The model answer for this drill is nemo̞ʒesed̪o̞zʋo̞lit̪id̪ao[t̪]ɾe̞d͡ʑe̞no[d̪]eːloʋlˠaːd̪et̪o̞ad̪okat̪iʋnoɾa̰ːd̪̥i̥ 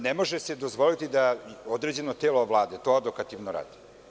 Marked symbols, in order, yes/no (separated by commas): no, no